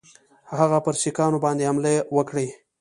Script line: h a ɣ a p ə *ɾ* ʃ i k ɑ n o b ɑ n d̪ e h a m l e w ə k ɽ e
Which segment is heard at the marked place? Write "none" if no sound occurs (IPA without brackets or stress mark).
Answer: ɾ